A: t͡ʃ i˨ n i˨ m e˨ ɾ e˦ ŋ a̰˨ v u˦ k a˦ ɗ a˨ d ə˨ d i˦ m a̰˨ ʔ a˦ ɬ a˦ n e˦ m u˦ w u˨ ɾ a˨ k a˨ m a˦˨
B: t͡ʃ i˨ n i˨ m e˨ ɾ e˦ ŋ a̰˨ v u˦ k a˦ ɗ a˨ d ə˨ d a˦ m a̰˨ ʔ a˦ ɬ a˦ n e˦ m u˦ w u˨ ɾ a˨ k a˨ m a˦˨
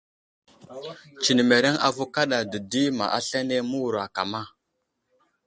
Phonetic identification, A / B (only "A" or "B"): A